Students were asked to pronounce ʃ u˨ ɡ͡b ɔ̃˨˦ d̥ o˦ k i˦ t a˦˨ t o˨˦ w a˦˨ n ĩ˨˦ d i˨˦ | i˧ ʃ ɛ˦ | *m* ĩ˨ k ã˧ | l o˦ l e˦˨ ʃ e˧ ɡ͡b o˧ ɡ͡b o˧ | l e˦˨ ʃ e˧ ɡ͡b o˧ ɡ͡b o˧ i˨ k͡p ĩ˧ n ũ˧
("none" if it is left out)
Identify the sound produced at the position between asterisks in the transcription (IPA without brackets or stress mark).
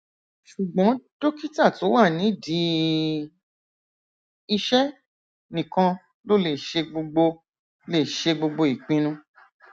n